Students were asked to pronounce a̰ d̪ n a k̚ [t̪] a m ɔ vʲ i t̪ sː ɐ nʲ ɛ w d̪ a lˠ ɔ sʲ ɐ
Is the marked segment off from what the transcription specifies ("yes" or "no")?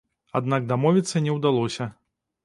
yes